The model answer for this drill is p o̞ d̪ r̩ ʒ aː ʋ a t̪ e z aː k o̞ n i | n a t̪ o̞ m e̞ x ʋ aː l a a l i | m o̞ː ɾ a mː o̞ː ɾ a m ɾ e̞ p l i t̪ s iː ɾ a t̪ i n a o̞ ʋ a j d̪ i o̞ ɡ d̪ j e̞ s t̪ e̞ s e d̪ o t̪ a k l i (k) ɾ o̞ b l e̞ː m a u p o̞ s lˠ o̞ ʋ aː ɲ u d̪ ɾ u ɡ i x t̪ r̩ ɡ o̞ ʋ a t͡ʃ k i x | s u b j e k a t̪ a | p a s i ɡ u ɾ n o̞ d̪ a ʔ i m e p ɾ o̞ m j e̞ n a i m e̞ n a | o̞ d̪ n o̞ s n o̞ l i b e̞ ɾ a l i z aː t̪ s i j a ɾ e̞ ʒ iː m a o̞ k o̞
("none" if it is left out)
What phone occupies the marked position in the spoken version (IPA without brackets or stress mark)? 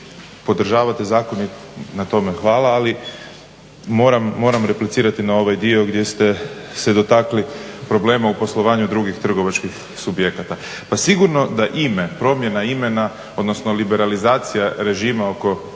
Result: p